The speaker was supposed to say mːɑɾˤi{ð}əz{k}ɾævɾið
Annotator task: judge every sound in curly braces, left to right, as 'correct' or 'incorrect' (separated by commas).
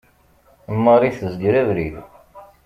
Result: incorrect, incorrect